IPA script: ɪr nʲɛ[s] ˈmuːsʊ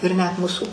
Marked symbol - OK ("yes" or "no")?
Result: no